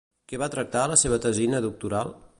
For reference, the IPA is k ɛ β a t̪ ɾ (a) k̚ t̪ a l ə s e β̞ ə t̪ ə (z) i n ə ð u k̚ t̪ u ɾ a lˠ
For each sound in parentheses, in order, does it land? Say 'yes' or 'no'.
no, yes

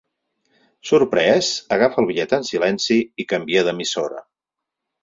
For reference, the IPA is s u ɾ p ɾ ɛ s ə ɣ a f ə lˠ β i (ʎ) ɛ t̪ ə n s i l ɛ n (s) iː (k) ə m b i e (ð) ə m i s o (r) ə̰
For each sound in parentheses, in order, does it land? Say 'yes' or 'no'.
yes, yes, yes, yes, no

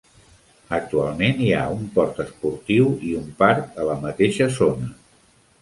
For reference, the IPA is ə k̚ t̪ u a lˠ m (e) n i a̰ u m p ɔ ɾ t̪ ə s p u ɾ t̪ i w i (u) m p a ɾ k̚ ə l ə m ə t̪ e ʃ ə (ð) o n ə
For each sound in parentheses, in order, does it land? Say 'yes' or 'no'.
yes, yes, no

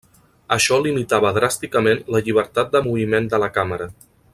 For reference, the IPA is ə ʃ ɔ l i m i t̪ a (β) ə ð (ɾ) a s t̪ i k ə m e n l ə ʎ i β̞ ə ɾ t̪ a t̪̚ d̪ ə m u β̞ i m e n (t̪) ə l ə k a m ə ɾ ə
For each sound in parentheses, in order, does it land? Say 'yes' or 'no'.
yes, yes, no

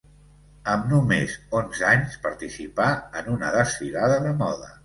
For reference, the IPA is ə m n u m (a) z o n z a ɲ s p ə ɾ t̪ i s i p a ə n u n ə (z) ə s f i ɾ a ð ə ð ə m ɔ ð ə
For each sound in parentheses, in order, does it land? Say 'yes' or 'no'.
no, no

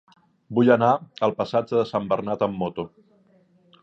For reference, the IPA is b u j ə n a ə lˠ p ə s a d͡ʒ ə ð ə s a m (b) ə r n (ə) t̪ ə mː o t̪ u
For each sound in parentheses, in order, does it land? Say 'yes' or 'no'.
yes, no

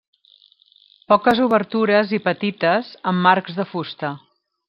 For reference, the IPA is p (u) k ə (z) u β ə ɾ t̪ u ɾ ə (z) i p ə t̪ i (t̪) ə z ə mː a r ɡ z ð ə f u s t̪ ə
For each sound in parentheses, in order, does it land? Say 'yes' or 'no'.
no, yes, yes, yes

